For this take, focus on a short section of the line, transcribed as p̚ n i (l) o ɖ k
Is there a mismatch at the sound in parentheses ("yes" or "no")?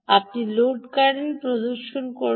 no